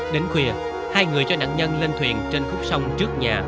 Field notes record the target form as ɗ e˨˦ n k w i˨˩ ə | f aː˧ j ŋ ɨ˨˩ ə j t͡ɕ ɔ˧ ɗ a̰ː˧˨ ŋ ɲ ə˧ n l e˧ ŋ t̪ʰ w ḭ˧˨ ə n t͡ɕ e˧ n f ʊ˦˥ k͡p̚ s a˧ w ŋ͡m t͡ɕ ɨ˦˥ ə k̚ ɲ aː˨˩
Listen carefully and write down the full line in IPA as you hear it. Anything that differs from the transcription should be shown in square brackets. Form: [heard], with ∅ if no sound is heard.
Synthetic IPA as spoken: ɗ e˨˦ n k w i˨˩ ə | [h] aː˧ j ŋ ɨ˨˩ ə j t͡ɕ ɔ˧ ɗ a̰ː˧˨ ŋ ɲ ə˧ n l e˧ [n] t̪ʰ w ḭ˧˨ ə n t͡ɕ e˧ n f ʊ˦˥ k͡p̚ s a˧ w ŋ͡m t͡ɕ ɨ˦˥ ə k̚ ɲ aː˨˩